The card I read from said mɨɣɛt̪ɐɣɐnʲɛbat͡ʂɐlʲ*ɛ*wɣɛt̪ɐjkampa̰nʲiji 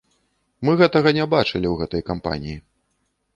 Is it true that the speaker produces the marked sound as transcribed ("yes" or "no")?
no